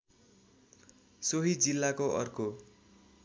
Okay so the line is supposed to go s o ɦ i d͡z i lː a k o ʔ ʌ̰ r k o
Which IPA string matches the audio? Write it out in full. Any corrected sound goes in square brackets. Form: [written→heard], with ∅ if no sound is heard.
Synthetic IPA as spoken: s o ɦ i d͡z i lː a k o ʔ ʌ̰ r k o